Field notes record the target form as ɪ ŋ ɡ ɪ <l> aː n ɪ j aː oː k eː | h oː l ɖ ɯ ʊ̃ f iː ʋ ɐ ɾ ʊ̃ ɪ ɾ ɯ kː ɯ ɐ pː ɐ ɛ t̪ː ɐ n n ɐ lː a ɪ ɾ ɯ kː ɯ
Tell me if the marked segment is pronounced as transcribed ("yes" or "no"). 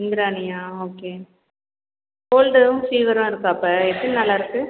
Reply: no